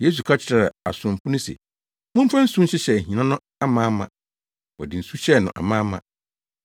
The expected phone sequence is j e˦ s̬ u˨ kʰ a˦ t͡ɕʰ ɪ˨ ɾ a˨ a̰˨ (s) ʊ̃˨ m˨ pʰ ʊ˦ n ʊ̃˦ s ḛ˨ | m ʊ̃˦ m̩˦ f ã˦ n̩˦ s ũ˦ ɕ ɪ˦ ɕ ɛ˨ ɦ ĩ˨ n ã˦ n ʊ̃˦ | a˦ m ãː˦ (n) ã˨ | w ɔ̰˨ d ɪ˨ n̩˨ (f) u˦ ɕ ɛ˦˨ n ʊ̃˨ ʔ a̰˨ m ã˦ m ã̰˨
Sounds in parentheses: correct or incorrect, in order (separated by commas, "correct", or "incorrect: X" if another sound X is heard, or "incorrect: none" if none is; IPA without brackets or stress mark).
correct, incorrect: m, incorrect: s